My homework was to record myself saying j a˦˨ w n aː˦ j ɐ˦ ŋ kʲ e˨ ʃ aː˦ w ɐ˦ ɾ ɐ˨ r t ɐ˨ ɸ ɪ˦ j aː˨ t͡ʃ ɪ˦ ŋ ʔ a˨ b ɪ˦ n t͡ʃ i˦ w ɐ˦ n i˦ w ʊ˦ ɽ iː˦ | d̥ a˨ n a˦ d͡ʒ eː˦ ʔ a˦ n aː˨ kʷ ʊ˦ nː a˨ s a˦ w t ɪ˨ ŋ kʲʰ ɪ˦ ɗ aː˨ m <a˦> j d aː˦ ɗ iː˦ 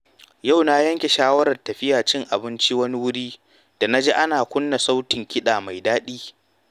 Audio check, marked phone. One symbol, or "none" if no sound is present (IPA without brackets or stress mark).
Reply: a˨